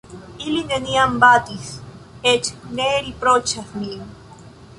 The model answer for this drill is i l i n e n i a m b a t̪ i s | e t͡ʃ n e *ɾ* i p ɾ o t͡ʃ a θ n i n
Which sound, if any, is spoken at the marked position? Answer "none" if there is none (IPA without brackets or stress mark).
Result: ɾ